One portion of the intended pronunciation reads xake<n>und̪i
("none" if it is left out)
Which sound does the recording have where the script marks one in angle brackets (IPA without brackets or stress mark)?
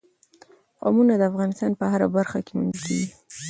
m